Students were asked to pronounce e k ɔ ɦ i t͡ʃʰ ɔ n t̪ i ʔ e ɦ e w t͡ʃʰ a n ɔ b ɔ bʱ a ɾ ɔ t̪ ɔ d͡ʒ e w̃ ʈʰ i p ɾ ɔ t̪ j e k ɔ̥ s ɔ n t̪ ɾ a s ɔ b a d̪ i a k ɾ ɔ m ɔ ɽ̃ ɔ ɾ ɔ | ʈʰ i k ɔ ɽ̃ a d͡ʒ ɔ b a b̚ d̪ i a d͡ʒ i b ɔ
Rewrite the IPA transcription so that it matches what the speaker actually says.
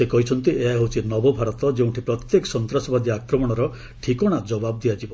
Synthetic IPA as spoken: e k ɔ ɦ i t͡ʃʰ ɔ n t̪ i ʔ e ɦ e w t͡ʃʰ i n ɔ b ɔ bʱ a ɾ ɔ t̪ ɔ d͡ʒ e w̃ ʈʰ i p ɾ ɔ t̪ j e k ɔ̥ s ɔ n t̪ ɾ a s ɔ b a d̪ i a k ɾ ɔ m ɔ ɽ̃ ɔ ɾ ɔ | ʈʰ i k ɔ ɽ̃ a d͡ʒ ɔ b a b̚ d̪ i a d͡ʒ i b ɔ

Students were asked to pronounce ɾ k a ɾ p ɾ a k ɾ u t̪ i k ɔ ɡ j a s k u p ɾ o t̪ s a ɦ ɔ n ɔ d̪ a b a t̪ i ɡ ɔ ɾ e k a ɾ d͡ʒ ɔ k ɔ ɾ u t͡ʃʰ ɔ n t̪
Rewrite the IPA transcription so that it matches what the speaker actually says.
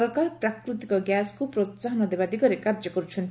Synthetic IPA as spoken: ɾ k a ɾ p ɾ a k ɾ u t̪ i k ɔ ɡ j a s k u p ɾ o t̪ s a ɦ ɔ n ɔ d̪ e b a d̪ i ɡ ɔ ɾ e k a ɾ d͡ʒ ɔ k ɔ ɾ u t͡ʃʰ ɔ n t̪

